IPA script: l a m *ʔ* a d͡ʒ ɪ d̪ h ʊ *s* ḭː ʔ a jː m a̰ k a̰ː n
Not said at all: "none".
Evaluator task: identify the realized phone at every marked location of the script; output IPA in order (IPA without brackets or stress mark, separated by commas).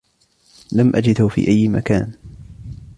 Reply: ʔ, f